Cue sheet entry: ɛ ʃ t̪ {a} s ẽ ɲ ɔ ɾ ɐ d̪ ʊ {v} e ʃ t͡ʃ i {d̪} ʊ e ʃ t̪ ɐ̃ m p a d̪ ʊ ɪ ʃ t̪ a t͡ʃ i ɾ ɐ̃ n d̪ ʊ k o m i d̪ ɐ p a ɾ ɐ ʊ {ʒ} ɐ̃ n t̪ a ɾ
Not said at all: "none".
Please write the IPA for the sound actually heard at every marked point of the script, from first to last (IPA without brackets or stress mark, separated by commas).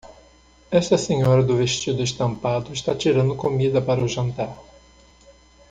ɐ, v, d̪, ʒ